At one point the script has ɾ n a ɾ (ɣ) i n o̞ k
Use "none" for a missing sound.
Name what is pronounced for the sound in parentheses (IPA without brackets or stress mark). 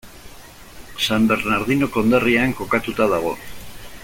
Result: ð